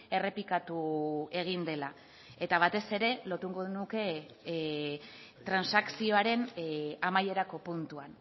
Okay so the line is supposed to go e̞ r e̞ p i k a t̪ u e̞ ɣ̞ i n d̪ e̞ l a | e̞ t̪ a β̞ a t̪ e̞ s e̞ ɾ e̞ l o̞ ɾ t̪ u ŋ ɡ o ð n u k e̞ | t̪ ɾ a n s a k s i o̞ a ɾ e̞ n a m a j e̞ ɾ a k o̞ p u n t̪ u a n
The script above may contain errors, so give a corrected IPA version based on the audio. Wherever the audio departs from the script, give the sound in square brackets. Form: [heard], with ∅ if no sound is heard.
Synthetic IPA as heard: e̞ r e̞ p i k a t̪ u e̞ ɣ̞ i n d̪ e̞ l a | e̞ t̪ a β̞ a t̪ e̞ s e̞ ɾ e̞ l o̞ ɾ t̪ u ŋ ɡ o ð n u k e̞ | t̪ ɾ a n s a k s i o̞ a ɾ e̞ n a m a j e̞ ɾ a k o̞ p u n t̪ u a n